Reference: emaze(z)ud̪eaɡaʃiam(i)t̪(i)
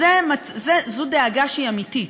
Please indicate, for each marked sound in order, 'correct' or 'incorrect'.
correct, correct, correct

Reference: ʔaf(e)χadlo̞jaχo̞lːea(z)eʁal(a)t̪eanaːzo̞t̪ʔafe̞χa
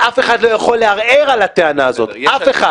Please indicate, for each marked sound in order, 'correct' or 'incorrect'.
correct, incorrect: ʁ, correct

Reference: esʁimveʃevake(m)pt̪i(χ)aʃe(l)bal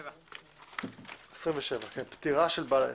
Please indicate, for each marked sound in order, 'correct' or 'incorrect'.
incorrect: n, incorrect: ʁ, correct

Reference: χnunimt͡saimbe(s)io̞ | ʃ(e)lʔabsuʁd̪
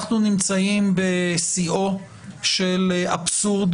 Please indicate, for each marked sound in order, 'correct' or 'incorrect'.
correct, correct

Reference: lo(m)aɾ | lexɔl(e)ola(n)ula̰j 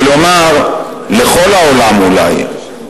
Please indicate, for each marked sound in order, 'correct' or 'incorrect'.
correct, incorrect: a, incorrect: m

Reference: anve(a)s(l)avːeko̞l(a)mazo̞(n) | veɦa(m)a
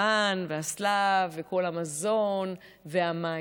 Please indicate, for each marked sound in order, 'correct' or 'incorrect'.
correct, correct, correct, correct, correct

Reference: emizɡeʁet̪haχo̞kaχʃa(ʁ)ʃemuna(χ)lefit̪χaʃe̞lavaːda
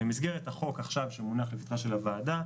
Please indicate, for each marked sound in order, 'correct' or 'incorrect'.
incorrect: v, correct

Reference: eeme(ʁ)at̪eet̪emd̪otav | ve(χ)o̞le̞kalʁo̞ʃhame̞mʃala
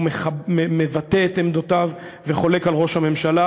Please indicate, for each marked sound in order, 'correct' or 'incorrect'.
incorrect: v, correct

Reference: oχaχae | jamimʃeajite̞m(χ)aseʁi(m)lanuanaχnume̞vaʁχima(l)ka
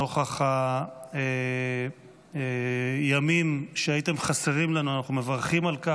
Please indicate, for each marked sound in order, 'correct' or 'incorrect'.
correct, correct, correct

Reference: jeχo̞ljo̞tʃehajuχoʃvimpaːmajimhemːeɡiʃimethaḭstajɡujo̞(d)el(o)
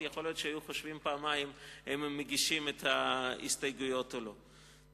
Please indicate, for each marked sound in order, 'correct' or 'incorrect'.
incorrect: t, correct

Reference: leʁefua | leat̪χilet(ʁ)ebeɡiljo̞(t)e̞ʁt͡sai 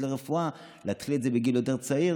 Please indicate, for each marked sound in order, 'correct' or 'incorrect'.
incorrect: z, correct

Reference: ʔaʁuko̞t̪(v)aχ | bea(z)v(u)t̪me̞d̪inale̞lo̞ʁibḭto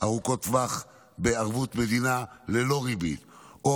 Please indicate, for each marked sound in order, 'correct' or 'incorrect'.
correct, incorrect: ʁ, correct

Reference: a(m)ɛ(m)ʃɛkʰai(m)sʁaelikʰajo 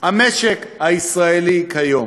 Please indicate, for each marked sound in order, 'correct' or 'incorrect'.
correct, incorrect: none, incorrect: none

